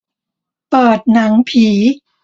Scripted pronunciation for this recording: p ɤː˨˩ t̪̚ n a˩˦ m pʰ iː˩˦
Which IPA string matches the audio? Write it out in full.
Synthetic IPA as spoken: p ɤː˨˩ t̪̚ n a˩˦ ŋ pʰ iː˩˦